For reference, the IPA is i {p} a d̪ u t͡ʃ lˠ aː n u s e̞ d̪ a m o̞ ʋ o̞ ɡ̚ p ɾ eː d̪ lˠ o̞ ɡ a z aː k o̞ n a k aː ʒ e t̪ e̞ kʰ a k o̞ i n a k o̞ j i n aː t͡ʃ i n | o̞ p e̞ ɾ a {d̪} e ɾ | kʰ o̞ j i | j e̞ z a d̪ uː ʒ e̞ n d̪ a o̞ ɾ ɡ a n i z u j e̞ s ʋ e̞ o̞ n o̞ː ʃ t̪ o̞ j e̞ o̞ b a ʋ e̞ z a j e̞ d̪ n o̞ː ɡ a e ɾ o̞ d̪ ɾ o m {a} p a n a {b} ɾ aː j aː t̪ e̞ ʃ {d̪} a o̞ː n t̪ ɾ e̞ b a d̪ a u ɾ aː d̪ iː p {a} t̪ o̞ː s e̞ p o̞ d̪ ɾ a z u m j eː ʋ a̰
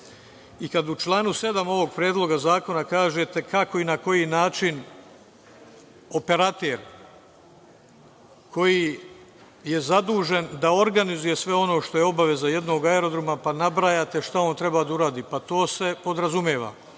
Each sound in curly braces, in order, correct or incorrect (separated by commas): incorrect, incorrect, correct, correct, incorrect, correct